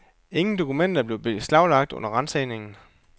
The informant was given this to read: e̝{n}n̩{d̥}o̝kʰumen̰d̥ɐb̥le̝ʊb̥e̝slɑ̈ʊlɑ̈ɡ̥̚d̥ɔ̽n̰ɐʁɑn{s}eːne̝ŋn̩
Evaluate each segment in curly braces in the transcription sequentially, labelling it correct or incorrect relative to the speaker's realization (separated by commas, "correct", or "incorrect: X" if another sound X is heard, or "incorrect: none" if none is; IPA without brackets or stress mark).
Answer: incorrect: ŋ, correct, correct